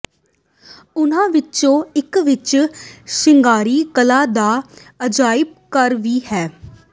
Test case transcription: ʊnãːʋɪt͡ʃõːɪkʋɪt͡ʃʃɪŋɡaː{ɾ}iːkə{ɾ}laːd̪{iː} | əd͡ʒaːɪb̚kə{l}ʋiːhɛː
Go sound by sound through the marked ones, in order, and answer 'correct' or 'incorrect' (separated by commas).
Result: correct, incorrect, incorrect, incorrect